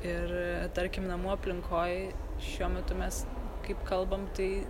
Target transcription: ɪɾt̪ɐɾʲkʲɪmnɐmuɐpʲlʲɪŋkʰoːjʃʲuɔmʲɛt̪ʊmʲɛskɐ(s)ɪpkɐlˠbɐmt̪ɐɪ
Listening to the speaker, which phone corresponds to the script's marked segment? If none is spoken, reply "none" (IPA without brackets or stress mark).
none